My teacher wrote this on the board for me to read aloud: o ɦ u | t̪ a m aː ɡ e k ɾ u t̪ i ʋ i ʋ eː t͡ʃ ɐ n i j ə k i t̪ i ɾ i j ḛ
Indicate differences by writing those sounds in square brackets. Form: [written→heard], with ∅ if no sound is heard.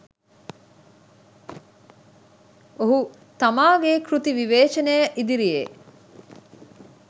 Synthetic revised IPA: o ɦ u | t̪ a m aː ɡ e k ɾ u t̪ i ʋ i ʋ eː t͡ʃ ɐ n [i→e] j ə [k→ʔ] i [t̪→d̪] i ɾ i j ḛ

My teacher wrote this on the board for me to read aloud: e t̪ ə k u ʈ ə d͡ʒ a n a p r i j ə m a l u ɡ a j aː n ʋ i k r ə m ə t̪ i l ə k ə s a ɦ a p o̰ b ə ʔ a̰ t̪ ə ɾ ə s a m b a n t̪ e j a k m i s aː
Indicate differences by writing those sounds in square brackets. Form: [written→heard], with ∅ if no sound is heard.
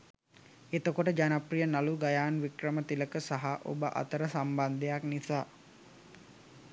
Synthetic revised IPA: e t̪ ə k [u→o] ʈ ə d͡ʒ a n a p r i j ə [m→n] a l u ɡ a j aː n ʋ i k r ə m ə t̪ i l ə k ə s a ɦ a [p→ʔ] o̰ b ə ʔ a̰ t̪ ə ɾ ə s a m b a n [t̪→d̪] e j a k [m→n] i s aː

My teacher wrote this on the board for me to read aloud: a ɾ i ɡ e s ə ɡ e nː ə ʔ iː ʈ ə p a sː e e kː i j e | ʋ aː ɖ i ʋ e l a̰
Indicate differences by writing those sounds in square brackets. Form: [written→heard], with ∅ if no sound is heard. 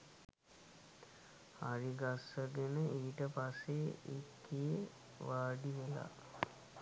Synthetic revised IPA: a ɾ i ɡ [e→a] s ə ɡ e [nː→n] ə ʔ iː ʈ ə p a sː e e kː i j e | ʋ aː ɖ i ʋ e l a̰

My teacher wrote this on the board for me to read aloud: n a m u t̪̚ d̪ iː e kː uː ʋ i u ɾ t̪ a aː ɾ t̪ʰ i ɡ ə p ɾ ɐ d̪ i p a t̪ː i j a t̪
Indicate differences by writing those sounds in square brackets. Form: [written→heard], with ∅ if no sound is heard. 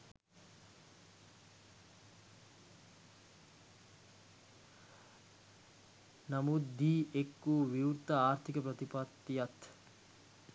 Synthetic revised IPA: n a m u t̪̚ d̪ iː e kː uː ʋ i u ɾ t̪ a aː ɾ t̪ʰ i [ɡ→k] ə p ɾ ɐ [d̪→t̪] i p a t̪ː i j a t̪

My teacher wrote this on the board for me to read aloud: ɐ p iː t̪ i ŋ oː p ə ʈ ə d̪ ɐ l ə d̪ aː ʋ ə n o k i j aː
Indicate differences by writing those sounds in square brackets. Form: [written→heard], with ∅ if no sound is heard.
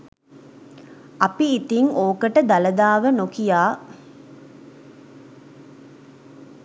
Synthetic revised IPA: ɐ p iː t̪ i ŋ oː [p→k] ə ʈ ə d̪ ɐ l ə d̪ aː ʋ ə n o k i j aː

